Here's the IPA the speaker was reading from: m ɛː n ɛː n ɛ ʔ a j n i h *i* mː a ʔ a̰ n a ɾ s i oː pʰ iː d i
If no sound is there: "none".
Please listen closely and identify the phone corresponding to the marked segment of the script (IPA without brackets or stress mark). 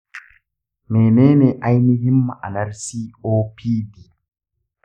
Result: i